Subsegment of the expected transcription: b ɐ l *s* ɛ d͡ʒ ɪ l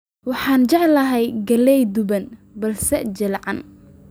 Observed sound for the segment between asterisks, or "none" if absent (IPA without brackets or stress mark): s